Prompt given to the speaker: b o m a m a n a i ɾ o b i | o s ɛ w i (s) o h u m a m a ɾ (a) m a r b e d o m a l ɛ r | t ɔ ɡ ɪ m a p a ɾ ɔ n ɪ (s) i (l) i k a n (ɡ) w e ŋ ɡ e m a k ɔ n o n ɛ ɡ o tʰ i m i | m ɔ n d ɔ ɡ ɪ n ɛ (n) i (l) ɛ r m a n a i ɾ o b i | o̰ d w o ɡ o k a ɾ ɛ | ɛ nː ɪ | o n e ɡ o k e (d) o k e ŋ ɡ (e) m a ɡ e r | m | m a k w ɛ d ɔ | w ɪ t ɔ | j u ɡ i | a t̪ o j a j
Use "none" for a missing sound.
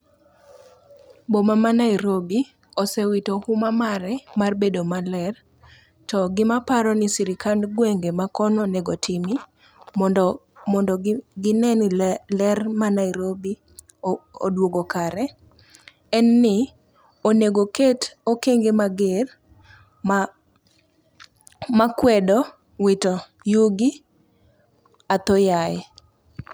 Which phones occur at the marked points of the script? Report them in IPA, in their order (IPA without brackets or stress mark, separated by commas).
t, ɛ, s, ɾ, ɡ, n, l, t, e